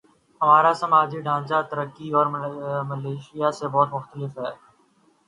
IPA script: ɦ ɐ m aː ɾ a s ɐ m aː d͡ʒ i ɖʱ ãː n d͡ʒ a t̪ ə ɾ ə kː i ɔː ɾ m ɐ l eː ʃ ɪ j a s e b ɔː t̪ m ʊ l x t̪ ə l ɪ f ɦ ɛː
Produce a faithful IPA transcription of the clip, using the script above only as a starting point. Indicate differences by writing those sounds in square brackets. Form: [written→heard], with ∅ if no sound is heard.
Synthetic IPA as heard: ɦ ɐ m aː ɾ a s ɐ m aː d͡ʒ i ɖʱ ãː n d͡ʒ a t̪ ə ɾ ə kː i ɔː ɾ m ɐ l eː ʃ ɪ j a s e b ɔː t̪ m ʊ [l→∅] x t̪ ə l ɪ f ɦ ɛː